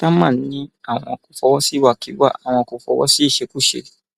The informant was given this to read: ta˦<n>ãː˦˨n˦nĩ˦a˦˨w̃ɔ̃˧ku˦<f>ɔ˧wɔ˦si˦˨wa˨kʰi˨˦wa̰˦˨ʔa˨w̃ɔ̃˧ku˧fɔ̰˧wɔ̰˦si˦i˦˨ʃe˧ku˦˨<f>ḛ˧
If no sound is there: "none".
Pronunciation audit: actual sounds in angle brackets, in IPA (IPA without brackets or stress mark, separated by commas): m, f, ʃ